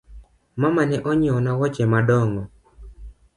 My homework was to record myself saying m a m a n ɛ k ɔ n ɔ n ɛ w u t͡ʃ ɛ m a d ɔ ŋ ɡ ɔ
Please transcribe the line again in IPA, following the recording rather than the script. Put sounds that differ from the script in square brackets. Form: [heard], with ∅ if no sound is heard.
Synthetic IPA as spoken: m a m a n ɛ [ʔ] ɔ [ɲ] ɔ n [a] w [ɔ] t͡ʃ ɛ m a d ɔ ŋ ɡ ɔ